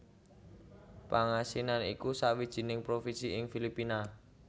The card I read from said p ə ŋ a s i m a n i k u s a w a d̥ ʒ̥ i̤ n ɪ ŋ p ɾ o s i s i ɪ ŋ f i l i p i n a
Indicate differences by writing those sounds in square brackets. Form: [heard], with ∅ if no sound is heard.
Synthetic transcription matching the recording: p [a] ŋ a s i [n] a n i k u s a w [i] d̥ ʒ̥ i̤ n ɪ ŋ p ɾ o [f] i s i ɪ ŋ f i l i p i n a